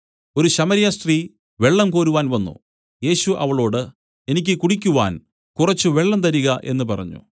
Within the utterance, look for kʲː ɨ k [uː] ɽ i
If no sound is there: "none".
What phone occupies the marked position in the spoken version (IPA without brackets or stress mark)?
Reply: u